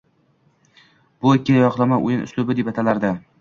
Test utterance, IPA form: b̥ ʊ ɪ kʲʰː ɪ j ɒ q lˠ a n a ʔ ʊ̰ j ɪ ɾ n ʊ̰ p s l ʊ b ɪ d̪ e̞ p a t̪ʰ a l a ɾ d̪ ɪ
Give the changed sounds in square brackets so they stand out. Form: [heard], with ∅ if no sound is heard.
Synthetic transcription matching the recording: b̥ ʊ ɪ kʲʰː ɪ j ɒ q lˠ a [m] a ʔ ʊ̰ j ɪ [∅] n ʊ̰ [∅] s l ʊ b ɪ d̪ e̞ p a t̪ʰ a l a ɾ d̪ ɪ